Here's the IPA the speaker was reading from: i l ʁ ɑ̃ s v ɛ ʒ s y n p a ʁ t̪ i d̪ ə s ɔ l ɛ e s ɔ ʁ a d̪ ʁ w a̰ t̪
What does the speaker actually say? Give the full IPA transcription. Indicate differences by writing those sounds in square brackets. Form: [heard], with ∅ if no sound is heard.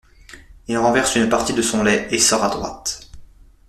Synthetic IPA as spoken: i l ʁ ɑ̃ [∅] v ɛ [ʁ] s y n p a ʁ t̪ i d̪ ə s [ɔ̃] l ɛ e s ɔ ʁ a d̪ ʁ w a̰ t̪

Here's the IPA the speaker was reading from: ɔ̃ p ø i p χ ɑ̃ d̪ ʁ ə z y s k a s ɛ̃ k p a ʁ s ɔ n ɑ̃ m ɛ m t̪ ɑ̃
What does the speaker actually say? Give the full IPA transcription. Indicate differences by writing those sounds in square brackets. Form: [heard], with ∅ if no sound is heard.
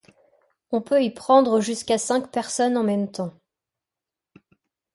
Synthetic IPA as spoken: ɔ̃ p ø i p χ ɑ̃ d̪ ʁ ə [ʒ] y s k a s ɛ̃ k p [ɛ] ʁ s ɔ n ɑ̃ m ɛ m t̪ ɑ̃

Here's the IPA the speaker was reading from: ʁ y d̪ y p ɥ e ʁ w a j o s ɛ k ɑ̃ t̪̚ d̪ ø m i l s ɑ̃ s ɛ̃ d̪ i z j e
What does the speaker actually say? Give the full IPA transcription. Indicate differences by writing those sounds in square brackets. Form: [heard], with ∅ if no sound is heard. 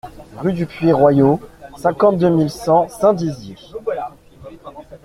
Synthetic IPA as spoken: ʁ y d̪ y p ɥ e ʁ w a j o s [ɛ̃] k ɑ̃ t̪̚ d̪ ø m i l s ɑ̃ s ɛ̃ d̪ i z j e

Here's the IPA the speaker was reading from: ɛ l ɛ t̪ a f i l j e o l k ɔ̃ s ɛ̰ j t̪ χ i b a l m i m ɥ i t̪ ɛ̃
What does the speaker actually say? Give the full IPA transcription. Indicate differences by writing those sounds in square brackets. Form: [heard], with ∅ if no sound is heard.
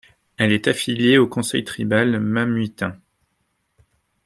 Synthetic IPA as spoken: ɛ l ɛ t̪ a f i l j e o [∅] k ɔ̃ s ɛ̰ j t̪ χ i b a l m [a] m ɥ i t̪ ɛ̃

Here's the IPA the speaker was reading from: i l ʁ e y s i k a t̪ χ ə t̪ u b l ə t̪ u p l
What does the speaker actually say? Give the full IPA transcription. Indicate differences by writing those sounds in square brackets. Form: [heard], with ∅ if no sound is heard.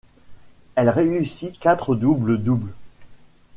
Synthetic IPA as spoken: [ɛ] l ʁ e y s i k a t̪ χ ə [d̪] u b l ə [d̪] u [b] l

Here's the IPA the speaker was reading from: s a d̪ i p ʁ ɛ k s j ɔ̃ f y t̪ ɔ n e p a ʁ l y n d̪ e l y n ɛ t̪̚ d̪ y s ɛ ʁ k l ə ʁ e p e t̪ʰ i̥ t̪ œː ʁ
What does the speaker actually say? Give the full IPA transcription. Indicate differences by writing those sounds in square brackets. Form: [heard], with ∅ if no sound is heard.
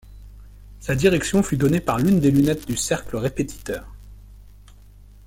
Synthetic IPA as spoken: s a d̪ i [∅] ʁ ɛ k s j ɔ̃ f y [d̪] ɔ n e p a ʁ l y n d̪ e l y n ɛ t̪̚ d̪ y s ɛ ʁ k l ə ʁ e p e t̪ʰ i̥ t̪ œː ʁ

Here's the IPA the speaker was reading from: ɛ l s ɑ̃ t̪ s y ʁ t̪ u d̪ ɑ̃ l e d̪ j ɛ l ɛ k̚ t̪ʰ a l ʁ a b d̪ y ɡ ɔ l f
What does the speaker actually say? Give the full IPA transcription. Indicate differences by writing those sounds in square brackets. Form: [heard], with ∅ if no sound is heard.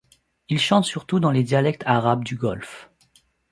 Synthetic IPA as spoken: [i] l [ʃ] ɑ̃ t̪ s y ʁ t̪ u d̪ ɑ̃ l e d̪ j [a] l ɛ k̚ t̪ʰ a [∅] ʁ a b d̪ y ɡ ɔ l f

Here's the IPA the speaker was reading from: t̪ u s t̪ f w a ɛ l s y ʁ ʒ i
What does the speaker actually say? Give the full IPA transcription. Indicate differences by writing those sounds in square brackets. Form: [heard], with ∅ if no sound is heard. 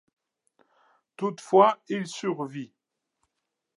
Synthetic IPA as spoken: t̪ u [∅] t̪ f w a [i] l s y ʁ [v] i

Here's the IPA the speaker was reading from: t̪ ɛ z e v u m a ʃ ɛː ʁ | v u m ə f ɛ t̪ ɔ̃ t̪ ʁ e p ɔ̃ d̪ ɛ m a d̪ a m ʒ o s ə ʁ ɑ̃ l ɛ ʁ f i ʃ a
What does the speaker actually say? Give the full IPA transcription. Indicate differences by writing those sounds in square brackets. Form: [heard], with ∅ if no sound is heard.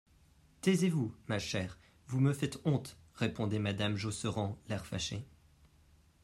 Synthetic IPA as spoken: t̪ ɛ z e v u m a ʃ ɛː ʁ | v u m ə f ɛ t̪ ɔ̃ t̪ ʁ e p ɔ̃ d̪ ɛ m a d̪ a m ʒ o s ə ʁ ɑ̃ l ɛ ʁ f [a] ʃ [e]

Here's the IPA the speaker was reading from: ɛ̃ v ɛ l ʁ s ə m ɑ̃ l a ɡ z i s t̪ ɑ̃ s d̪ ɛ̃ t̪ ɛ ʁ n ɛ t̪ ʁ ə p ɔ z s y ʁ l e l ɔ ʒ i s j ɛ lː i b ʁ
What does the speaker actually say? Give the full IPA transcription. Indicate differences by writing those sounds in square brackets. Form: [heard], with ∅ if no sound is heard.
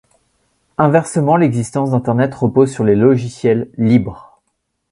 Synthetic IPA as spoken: ɛ̃ v ɛ [∅] ʁ s ə m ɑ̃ l [ɛ] ɡ z i s t̪ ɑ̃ s d̪ ɛ̃ t̪ ɛ ʁ n ɛ t̪ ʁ ə p [o] z s y ʁ l e l ɔ ʒ i s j ɛ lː i b ʁ

